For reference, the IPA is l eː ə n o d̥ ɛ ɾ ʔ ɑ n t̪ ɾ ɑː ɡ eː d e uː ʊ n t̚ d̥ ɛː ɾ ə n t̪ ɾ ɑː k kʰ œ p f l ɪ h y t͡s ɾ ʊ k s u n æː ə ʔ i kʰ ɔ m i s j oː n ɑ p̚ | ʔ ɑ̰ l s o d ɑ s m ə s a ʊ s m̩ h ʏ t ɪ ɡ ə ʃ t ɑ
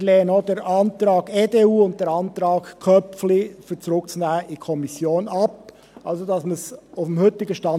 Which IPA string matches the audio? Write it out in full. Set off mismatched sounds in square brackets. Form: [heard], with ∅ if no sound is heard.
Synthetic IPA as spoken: l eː ə n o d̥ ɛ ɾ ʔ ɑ n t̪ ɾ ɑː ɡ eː d e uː ʊ n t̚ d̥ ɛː ɾ [ɑ] n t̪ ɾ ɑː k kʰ œ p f l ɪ [f] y t͡s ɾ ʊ k [t͡s] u n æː ə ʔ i kʰ ɔ m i s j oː n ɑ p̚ | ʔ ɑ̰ l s o d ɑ s m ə s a ʊ [f] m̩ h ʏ t ɪ ɡ ə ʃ t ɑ